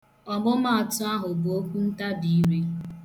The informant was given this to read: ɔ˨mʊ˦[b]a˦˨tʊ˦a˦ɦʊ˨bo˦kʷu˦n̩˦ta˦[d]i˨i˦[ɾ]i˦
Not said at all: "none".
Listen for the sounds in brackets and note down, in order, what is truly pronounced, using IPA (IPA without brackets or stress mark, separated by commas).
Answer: m, b, ɾ